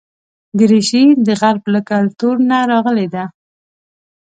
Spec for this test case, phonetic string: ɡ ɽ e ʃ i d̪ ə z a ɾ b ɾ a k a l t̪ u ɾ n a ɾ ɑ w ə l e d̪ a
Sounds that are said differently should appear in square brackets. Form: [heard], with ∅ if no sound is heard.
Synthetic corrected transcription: ɡ [ɾ] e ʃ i d̪ ə [ɣ] a ɾ b [l] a k a l t̪ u ɾ n a ɾ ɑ [ɣ] ə l e d̪ a